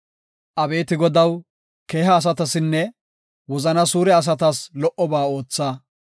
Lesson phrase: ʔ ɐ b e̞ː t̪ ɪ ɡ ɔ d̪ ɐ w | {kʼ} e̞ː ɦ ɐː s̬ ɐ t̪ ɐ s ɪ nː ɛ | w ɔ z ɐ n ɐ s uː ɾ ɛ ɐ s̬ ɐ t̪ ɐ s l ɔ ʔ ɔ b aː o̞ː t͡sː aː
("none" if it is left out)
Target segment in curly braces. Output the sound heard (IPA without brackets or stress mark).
k